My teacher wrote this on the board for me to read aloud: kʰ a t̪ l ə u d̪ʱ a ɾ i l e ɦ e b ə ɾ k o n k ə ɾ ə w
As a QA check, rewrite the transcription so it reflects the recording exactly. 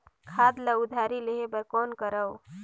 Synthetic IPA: kʰ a d̪ l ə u d̪ʱ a ɾ i l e ɦ e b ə ɾ k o n k ə ɾ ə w